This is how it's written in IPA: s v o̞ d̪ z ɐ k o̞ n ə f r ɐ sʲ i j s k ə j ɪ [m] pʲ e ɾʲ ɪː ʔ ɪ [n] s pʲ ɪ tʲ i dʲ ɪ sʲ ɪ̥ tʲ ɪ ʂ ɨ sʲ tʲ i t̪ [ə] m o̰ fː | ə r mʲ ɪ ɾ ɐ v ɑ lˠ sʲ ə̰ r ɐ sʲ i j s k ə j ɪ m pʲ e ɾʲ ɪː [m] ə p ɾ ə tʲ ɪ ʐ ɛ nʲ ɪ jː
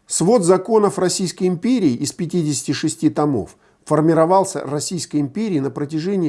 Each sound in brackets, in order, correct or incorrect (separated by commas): correct, incorrect, incorrect, incorrect